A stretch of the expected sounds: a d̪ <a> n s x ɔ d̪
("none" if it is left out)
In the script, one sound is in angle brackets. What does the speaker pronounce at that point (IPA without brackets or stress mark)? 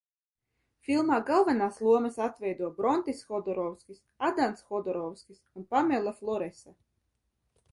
a